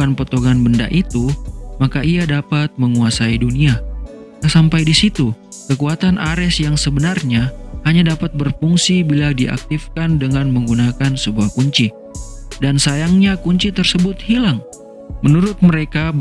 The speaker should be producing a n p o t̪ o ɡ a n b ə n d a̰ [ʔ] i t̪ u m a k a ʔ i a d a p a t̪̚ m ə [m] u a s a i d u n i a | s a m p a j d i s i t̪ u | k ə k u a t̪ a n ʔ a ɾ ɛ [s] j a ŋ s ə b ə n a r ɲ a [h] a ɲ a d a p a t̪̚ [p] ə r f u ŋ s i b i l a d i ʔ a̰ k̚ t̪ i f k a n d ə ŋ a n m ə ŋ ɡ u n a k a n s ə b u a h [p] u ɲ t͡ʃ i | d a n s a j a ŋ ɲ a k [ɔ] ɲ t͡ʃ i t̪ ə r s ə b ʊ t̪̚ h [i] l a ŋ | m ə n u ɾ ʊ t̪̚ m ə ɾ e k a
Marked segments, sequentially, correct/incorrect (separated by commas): correct, incorrect, correct, correct, incorrect, incorrect, incorrect, correct